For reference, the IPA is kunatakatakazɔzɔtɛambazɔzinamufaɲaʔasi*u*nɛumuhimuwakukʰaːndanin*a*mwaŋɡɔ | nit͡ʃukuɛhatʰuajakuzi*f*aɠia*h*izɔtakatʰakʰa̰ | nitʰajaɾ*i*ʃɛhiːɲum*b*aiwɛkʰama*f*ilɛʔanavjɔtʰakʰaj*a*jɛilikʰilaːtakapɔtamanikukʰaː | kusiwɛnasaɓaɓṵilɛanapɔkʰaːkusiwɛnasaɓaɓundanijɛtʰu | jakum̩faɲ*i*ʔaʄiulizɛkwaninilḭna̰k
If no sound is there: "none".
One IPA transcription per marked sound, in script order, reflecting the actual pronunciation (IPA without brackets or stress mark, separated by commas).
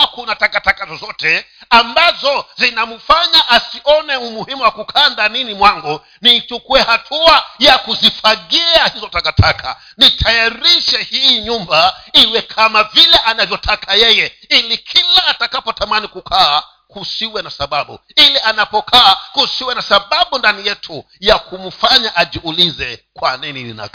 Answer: ɔ, i, f, h, i, b, v, ɛ, a